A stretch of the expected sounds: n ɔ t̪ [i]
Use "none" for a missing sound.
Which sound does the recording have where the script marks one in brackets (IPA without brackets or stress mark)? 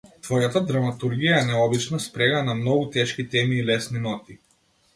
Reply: i